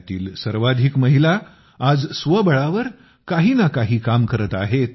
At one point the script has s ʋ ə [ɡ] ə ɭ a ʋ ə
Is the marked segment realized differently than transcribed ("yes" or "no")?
yes